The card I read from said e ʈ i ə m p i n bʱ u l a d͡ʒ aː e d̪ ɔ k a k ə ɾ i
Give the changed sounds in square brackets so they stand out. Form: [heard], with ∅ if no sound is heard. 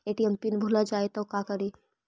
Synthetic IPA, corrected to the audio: e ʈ i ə m p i n bʱ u l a d͡ʒ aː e [t̪] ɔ k a k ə ɾ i

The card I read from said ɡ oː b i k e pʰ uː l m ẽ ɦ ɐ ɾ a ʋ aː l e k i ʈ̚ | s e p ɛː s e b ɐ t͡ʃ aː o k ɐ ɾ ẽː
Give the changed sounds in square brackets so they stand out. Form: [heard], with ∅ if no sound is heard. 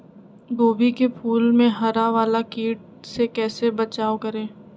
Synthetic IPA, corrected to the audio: ɡ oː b i k e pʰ uː l m ẽ ɦ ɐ ɾ a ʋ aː l [a] k [iː] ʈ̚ | s e [k] ɛː s e b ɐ t͡ʃ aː o k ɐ ɾ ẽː

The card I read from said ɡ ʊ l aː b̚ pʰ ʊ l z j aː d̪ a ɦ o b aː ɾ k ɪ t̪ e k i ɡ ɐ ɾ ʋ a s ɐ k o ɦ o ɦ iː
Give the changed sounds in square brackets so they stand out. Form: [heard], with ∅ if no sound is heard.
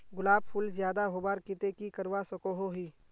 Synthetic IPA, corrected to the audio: ɡ ʊ l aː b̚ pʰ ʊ l z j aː d̪ a ɦ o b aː ɾ k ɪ t̪ e k i [k] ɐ ɾ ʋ a s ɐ k o ɦ o ɦ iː

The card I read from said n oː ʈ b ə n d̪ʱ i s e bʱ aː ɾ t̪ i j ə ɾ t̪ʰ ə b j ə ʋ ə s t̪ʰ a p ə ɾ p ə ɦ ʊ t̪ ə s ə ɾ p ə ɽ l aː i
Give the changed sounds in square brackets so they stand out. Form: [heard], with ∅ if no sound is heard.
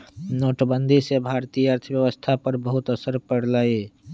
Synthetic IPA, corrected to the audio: n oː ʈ b ə n d̪ʱ i s e bʱ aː ɾ t̪ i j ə ɾ t̪ʰ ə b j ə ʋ ə s t̪ʰ a p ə ɾ [b] ə ɦ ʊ t̪ ə s ə ɾ p ə ɽ l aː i

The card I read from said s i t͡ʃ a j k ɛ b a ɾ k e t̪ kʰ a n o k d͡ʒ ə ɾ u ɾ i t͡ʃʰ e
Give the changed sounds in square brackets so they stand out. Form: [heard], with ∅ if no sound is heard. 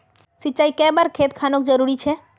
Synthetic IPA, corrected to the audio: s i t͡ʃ a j k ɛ b a ɾ [kʰ] e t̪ kʰ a n o k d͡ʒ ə ɾ u ɾ i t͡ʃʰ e

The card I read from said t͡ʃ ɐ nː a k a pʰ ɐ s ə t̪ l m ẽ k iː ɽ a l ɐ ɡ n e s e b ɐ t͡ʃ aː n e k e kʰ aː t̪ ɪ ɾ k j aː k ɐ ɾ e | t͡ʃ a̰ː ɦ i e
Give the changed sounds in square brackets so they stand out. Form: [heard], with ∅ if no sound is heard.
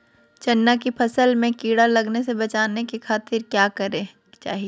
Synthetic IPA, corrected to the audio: t͡ʃ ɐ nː a k [i] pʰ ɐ s ə [∅] l m ẽ k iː ɽ a l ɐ ɡ n e s e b ɐ t͡ʃ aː n e k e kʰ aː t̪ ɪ ɾ k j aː k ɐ ɾ e | t͡ʃ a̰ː ɦ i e

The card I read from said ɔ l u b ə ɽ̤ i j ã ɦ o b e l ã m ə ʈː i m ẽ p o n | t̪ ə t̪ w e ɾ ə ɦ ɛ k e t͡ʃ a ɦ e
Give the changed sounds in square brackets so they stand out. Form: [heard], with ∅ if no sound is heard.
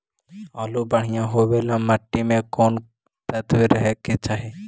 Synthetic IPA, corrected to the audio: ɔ l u b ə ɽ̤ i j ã ɦ o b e l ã m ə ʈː i m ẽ [k] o n | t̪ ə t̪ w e ɾ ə ɦ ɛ k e t͡ʃ a ɦ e

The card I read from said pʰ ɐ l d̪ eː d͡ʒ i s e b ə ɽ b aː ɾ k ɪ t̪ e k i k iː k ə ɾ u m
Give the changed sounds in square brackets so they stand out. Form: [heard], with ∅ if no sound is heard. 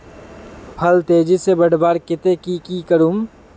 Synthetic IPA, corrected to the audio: pʰ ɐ l [t̪] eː d͡ʒ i s e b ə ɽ b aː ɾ k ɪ t̪ e k i k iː k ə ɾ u m

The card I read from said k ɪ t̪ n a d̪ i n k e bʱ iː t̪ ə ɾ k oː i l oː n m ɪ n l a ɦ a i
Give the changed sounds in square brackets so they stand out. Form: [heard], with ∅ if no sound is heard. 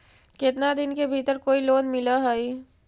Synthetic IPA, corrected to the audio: k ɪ t̪ n a d̪ [ɪ] n k e bʱ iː t̪ ə ɾ k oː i l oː n m ɪ [∅] l a ɦ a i

